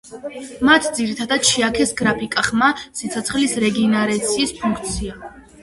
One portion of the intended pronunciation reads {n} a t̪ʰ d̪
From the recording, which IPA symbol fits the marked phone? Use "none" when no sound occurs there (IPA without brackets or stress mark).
m